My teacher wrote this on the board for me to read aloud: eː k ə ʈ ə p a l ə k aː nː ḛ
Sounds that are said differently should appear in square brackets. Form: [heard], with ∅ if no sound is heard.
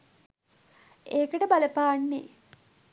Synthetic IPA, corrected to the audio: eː k ə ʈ ə [b] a l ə [p] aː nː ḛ